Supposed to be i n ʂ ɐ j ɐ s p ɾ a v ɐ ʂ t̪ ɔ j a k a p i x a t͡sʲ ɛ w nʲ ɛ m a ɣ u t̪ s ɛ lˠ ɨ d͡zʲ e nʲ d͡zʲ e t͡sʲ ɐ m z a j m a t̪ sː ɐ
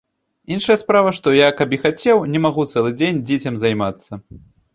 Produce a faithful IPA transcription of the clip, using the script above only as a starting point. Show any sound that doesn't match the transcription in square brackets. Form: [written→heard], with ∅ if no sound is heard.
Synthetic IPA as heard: i n ʂ ɐ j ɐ s p ɾ a v ɐ ʂ t̪ ɔ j a k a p i x a t͡sʲ ɛ w nʲ ɛ m a ɣ u t̪ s ɛ lˠ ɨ d͡zʲ e nʲ d͡zʲ e t͡sʲ ɐ m z a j m a t̪ sː ɐ